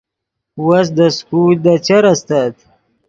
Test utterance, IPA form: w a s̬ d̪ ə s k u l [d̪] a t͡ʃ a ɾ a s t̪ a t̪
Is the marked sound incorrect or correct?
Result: correct